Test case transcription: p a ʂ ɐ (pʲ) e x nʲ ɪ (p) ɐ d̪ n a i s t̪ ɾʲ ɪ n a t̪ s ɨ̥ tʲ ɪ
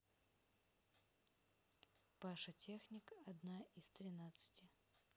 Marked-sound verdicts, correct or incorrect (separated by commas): incorrect, incorrect